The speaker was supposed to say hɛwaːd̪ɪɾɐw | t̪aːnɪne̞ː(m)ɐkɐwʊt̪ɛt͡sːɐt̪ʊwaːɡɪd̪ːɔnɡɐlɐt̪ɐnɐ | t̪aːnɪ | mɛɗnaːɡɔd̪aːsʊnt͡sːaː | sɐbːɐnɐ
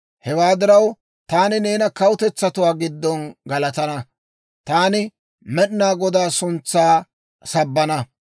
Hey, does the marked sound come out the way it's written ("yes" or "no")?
no